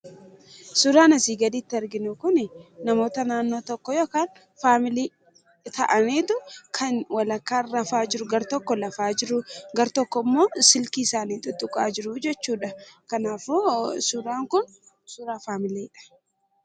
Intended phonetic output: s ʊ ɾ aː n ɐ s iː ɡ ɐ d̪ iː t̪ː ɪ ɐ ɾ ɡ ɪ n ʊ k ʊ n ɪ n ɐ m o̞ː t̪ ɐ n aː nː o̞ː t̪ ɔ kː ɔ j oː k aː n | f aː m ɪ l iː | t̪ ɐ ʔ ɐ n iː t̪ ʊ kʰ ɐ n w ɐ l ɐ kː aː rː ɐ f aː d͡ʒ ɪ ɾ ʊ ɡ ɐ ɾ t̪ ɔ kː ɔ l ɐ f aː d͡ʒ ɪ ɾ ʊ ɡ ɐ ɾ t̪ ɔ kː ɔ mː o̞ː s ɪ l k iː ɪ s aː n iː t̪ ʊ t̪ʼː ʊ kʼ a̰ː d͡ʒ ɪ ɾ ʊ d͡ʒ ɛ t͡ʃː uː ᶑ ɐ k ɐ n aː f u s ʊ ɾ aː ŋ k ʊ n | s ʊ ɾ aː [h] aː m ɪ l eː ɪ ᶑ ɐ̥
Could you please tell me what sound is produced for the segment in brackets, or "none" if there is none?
f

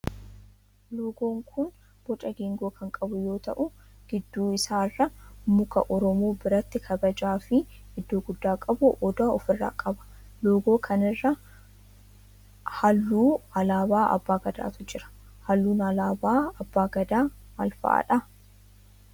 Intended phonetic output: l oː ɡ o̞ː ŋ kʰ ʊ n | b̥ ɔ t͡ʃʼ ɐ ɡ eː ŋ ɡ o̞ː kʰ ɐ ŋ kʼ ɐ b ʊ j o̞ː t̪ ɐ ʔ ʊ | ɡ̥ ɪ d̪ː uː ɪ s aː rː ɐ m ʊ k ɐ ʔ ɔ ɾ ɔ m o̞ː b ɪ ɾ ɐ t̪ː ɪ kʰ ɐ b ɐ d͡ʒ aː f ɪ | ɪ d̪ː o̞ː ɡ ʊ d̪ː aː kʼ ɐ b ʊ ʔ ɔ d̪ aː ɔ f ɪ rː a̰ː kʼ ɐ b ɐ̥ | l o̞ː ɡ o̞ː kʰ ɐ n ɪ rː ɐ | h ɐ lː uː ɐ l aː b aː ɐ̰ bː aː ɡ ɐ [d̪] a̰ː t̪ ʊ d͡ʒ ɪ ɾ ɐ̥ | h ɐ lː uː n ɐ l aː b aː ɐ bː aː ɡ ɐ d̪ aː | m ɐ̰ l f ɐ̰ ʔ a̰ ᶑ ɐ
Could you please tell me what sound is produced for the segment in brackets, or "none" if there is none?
d̪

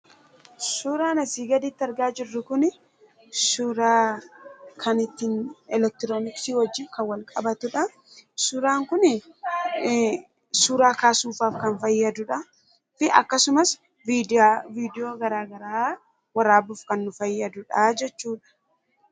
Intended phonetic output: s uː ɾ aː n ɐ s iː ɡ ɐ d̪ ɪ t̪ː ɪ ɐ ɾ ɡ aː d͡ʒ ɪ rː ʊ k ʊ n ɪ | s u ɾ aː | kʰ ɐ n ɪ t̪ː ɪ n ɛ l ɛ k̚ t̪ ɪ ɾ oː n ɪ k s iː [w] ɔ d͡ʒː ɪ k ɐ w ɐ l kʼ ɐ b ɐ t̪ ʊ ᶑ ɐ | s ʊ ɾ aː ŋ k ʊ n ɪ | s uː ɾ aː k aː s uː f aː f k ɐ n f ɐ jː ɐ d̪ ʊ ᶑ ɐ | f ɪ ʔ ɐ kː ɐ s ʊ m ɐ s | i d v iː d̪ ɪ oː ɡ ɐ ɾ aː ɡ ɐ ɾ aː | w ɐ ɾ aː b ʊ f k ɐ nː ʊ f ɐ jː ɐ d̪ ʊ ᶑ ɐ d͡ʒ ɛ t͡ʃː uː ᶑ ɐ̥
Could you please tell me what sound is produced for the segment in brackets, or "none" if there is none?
w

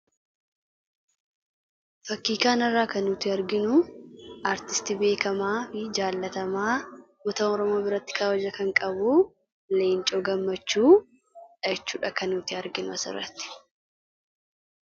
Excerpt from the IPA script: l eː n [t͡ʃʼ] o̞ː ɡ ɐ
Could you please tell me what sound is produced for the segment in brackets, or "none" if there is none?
t͡ʃʼ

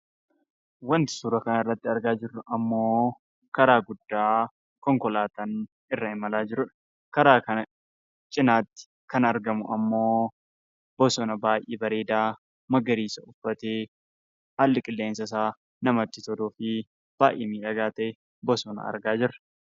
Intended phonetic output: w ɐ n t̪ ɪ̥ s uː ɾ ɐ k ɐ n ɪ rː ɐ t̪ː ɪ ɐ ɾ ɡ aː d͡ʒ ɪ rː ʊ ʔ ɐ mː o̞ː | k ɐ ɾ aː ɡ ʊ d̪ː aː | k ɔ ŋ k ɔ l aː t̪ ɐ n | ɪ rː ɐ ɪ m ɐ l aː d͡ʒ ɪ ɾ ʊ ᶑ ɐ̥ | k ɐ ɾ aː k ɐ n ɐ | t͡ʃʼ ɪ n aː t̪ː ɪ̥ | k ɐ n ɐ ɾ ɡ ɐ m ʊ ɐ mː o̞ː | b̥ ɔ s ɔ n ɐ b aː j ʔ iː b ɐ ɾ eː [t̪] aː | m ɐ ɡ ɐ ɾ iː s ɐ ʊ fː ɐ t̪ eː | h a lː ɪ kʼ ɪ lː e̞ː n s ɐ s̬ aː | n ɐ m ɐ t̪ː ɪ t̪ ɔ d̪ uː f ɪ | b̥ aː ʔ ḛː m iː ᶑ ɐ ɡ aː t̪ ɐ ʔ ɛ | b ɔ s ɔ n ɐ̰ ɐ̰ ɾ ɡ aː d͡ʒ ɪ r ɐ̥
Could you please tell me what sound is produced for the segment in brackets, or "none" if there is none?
d̪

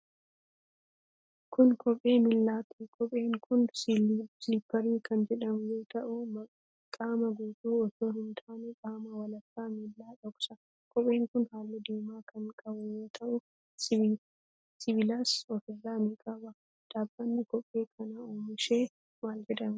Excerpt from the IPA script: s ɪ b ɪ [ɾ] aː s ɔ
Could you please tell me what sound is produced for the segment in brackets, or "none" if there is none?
l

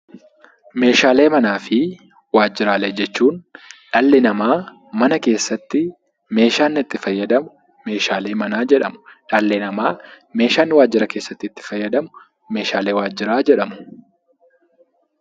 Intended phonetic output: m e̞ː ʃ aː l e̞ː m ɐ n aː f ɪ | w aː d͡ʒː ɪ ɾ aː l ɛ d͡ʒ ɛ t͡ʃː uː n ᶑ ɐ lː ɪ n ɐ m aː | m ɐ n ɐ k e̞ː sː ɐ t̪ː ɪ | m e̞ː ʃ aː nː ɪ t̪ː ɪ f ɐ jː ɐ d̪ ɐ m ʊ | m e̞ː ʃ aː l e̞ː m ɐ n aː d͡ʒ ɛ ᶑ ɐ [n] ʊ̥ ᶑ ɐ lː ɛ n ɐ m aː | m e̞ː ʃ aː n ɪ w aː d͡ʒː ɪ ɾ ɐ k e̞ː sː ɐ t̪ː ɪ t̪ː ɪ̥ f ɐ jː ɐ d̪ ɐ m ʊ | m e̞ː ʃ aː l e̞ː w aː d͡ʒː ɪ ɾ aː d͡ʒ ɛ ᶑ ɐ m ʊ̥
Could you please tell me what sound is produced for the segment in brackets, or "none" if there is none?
m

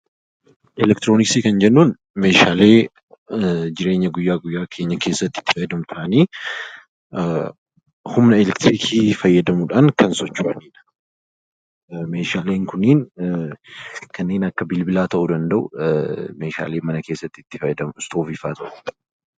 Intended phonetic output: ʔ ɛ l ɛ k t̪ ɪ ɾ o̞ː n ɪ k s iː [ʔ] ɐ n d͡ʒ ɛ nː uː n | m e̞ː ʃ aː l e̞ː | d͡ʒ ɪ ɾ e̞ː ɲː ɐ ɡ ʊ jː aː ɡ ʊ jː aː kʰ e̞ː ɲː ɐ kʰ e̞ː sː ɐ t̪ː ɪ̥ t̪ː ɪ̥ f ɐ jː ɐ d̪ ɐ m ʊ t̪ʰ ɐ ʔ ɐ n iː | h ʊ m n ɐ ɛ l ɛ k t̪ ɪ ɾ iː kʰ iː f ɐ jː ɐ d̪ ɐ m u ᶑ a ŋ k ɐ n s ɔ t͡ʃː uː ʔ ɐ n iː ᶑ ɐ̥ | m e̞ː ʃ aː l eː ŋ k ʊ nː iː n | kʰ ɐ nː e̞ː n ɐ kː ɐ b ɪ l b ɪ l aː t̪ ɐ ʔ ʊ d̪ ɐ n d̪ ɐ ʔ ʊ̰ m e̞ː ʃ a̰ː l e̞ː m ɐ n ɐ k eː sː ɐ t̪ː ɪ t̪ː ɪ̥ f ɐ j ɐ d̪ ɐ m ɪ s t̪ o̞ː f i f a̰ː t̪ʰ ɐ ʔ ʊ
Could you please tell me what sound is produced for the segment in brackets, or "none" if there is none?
k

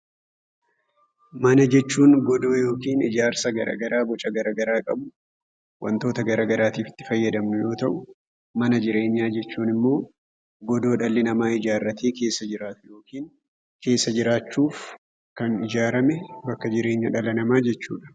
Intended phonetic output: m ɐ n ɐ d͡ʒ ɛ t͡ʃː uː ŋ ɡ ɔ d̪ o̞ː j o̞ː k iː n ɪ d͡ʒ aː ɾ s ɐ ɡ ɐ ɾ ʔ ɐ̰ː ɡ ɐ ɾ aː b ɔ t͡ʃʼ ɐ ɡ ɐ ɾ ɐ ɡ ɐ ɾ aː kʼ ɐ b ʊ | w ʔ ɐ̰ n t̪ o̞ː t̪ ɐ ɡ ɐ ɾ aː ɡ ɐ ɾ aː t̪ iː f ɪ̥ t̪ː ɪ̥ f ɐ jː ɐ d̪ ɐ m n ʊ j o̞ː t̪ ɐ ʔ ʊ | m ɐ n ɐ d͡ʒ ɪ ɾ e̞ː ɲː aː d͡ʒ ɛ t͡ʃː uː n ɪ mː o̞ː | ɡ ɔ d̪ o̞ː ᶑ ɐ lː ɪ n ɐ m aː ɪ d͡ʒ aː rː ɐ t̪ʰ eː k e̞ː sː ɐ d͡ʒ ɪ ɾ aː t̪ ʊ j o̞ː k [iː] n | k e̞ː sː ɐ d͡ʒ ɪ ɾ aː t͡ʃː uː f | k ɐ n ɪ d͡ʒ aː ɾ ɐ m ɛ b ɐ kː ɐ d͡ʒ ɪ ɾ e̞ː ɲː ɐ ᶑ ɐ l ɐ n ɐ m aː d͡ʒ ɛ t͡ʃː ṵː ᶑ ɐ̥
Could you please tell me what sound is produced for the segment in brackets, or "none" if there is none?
iː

